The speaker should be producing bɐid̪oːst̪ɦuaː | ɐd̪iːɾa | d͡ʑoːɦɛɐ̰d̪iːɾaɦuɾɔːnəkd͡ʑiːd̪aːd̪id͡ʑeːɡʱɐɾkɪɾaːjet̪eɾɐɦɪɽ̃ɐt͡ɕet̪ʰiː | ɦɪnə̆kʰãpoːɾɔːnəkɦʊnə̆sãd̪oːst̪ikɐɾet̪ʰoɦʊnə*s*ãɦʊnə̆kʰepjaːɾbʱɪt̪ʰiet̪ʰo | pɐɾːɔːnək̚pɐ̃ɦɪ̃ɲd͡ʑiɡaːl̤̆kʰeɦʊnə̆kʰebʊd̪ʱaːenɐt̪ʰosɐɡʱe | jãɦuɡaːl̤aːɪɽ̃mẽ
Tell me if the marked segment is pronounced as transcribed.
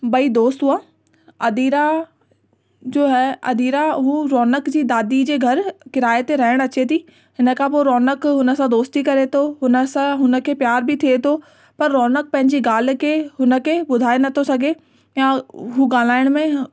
yes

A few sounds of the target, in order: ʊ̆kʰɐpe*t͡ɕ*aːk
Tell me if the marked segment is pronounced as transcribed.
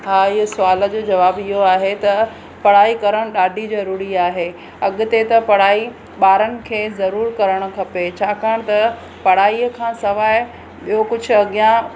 no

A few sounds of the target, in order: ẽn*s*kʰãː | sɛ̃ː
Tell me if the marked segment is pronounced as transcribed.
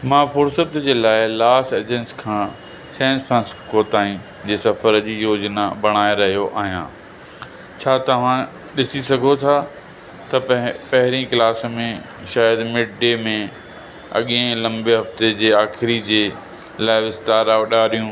yes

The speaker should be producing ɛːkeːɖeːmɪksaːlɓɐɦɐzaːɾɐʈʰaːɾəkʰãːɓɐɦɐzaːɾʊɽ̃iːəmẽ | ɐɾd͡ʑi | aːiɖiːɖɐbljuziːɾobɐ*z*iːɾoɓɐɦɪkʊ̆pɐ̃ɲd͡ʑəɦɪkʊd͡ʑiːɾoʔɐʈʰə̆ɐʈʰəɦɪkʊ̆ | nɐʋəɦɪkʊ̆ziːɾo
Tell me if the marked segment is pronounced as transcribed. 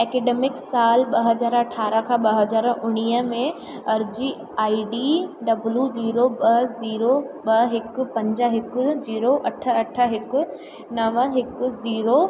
yes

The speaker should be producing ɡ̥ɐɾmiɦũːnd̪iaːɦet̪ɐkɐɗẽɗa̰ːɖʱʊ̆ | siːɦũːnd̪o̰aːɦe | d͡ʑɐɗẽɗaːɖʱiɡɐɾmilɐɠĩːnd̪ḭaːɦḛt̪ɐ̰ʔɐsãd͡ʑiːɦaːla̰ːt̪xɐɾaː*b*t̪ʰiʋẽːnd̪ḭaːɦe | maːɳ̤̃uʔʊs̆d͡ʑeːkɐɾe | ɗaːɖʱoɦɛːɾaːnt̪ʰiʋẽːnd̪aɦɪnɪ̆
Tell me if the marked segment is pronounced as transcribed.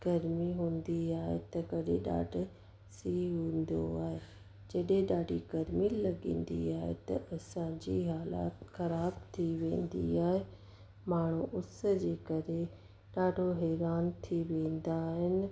yes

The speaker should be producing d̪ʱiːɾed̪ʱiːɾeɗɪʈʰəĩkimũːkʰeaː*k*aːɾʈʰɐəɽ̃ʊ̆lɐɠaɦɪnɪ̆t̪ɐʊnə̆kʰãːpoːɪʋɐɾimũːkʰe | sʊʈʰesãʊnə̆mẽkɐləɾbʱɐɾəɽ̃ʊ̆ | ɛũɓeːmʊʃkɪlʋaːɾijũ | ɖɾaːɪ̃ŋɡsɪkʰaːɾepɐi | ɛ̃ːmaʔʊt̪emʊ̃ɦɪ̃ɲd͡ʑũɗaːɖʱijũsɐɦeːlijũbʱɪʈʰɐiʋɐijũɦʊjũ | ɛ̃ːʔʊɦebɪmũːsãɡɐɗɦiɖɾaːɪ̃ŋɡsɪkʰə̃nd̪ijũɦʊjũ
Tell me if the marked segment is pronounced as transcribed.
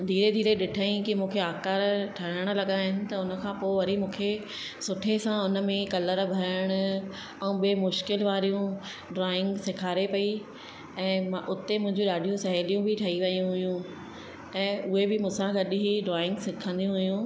yes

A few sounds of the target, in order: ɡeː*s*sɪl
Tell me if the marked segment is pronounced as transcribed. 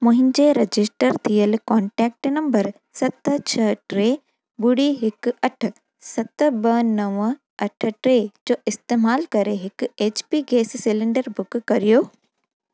yes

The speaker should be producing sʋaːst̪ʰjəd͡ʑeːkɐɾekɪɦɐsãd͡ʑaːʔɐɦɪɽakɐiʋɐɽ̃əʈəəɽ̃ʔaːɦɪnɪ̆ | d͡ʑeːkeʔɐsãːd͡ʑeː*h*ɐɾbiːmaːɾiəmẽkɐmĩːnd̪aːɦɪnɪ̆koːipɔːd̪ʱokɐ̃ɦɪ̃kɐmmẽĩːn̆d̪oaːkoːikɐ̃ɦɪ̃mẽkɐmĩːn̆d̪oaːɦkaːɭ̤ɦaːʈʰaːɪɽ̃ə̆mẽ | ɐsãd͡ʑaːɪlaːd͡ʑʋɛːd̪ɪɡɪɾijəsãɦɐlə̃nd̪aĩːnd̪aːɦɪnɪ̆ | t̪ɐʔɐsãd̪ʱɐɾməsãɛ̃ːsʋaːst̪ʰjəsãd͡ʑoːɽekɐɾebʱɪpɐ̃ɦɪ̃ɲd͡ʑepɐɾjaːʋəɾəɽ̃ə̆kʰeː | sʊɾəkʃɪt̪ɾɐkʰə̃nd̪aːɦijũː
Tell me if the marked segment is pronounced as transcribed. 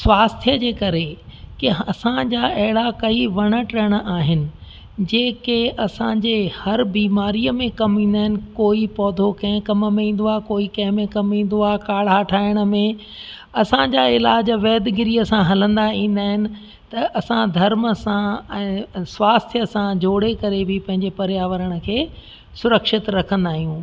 yes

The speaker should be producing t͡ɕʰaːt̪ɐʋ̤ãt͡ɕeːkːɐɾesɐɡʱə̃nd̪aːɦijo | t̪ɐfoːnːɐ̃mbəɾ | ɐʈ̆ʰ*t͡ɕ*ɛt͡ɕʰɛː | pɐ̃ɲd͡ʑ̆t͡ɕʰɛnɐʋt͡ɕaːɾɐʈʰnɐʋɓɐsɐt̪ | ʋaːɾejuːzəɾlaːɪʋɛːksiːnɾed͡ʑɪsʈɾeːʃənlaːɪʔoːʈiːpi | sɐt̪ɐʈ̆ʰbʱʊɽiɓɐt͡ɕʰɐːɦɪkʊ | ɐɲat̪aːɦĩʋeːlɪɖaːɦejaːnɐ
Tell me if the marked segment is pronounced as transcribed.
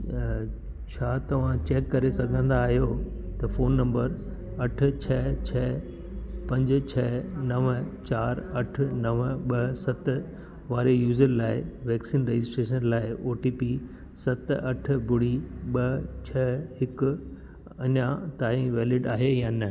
no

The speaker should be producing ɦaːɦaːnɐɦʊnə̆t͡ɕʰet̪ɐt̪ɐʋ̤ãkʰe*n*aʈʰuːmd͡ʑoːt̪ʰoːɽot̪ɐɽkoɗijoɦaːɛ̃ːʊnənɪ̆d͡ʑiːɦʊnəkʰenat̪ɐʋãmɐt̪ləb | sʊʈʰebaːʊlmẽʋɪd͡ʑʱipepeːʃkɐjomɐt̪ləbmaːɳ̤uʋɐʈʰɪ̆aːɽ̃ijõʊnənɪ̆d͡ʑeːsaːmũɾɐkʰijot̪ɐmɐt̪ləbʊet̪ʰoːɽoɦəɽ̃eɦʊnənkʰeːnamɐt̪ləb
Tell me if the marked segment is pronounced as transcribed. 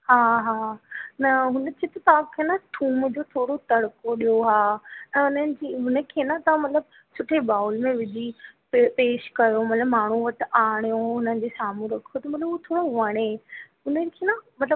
yes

